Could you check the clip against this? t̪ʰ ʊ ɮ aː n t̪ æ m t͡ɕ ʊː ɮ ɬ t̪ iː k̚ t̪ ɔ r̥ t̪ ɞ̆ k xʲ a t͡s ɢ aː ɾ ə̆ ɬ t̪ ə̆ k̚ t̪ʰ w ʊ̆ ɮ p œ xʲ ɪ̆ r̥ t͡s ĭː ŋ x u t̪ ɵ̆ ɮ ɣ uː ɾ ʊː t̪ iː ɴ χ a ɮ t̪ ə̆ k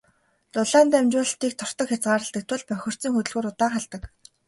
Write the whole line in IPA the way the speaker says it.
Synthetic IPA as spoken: t̪ ʊ ɮ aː n t̪ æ m t͡ɕ ʊː ɮ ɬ t̪ iː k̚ t̪ʰ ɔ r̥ t̪ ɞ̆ k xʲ a t͡s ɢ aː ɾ ə̆ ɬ t̪ ə̆ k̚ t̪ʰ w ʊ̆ ɮ p œ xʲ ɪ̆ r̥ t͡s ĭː ŋ x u t̪ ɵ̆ ɮ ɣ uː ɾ ʊ t̪ aː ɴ χ a ɮ t̪ ə̆ k